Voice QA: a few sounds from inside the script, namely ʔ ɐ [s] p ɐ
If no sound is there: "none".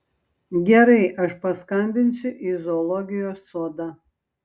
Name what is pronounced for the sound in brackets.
ʃ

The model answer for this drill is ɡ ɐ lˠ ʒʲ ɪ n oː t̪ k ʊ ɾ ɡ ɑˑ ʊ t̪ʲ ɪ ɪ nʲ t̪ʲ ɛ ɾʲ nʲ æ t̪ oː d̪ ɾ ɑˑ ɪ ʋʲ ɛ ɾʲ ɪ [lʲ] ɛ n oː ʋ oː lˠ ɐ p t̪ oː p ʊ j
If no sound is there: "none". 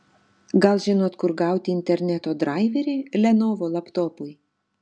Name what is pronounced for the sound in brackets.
lʲ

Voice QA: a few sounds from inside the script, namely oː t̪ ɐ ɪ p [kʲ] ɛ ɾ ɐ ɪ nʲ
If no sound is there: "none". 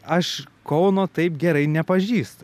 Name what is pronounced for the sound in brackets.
ɡʲ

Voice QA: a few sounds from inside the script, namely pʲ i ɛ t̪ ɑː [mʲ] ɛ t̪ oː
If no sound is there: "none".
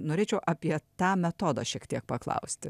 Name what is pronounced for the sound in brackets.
mʲ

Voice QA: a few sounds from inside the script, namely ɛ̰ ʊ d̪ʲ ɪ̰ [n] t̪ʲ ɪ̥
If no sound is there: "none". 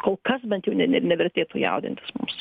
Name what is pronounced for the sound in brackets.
n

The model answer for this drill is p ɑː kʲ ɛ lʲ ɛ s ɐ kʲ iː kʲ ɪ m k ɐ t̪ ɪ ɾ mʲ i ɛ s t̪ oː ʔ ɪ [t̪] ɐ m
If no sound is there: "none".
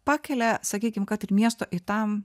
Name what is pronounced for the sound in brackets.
t̪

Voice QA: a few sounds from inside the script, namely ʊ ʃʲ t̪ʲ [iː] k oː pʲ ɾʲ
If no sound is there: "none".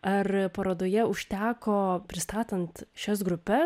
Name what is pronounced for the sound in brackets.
æː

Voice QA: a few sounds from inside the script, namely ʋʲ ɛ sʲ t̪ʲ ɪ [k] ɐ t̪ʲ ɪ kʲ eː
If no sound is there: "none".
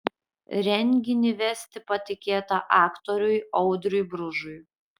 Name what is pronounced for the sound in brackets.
p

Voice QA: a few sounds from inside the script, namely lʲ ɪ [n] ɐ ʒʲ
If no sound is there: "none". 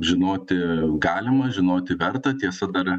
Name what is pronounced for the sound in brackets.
m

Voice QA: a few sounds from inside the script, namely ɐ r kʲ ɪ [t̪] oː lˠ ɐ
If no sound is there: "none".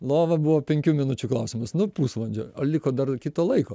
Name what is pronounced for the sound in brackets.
t̪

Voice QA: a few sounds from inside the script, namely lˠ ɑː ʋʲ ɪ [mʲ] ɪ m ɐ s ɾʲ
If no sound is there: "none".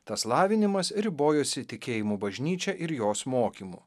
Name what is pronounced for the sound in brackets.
nʲ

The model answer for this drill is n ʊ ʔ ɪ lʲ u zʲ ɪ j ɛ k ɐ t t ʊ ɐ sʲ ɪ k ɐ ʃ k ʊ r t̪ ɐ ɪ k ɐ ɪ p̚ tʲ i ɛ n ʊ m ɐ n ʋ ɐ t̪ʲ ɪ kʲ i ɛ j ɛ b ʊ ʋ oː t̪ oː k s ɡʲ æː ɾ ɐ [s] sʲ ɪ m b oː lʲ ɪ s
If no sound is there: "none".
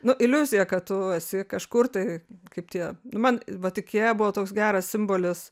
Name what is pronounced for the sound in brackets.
s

